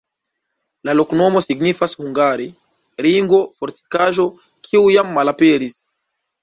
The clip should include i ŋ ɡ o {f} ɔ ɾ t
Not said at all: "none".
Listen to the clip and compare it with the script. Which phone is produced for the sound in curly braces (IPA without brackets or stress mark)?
f